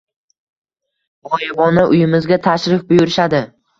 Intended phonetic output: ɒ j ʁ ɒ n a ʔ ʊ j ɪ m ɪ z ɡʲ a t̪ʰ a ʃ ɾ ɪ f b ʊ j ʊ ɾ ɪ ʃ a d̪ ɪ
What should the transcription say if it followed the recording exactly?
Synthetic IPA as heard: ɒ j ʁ ɒ n a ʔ ʊ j ɪ m ɪ z ɡʲ a t̪ʰ a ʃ ɾ ɪ f b ʊ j ʊ ɾ ɪ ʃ a d̪ ɪ